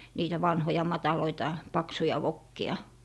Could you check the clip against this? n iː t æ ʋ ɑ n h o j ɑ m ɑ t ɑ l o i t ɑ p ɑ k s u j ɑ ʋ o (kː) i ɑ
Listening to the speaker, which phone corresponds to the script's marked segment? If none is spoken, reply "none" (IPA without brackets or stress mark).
kː